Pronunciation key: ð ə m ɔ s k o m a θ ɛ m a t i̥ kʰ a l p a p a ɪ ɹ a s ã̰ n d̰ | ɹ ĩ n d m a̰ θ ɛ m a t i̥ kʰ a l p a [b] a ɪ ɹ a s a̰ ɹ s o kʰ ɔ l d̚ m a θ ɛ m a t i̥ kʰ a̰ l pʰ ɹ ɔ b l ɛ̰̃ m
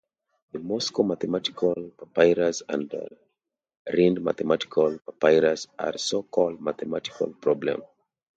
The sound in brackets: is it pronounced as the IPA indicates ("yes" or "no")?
no